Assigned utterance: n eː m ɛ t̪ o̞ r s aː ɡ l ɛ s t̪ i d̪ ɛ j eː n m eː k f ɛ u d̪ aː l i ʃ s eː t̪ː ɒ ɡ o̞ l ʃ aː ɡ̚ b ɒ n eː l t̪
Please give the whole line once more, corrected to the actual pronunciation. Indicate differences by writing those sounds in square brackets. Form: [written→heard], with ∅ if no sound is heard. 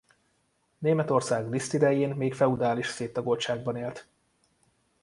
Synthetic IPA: n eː m ɛ t̪ o̞ r s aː ɡ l [ɛ→i] s t̪ i d̪ ɛ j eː n m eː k f ɛ u d̪ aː l i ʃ s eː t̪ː ɒ ɡ o̞ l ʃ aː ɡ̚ b ɒ n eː l t̪